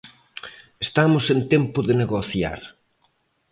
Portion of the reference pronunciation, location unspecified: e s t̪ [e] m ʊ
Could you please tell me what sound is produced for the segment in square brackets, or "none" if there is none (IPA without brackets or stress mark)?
a